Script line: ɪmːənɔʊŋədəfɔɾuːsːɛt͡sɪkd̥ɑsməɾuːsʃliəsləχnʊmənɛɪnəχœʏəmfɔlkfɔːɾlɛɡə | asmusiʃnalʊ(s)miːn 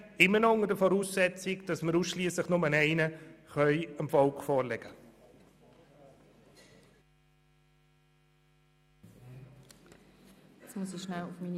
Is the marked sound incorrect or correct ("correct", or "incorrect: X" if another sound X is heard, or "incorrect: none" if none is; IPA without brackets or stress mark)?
incorrect: f